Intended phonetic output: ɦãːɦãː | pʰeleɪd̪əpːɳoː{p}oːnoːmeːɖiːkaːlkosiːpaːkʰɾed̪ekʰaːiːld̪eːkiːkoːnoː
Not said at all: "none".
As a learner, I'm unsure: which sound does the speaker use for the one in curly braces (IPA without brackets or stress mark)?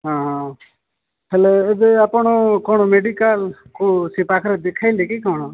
k